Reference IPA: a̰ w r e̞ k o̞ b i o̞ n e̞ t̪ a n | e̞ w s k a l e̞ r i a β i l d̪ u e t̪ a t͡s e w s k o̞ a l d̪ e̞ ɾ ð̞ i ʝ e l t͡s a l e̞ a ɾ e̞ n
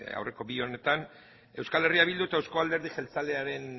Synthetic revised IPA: a̰ w r e̞ k o̞ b i o̞ n e̞ t̪ a n | e̞ w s k a l e̞ r i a β i l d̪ u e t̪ a e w s k o̞ a l d̪ e̞ ɾ ð̞ i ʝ e l t͡s a l e̞ a ɾ e̞ n

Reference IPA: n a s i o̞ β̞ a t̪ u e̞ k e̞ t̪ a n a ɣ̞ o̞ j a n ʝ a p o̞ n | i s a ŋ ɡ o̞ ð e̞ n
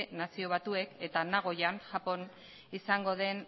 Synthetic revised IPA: n a s i o̞ β̞ a t̪ u e̞ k e̞ t̪ a n a ɣ̞ o̞ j a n ʝ a p o̞ n | i s a ŋ ɡ o̞ ð e̞ n

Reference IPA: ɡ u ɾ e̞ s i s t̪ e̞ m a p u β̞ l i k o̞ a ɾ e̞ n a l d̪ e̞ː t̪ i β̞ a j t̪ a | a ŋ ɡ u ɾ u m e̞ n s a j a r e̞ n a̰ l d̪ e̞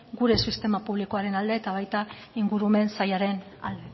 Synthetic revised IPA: ɡ u ɾ e̞ s i s t̪ e̞ m a p u β̞ l i k o̞ a ɾ e̞ n a l d̪ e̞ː t̪ a β̞ a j t̪ a | i ŋ ɡ u ɾ u m e̞ n s a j a ɾ e̞ n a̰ l d̪ e̞

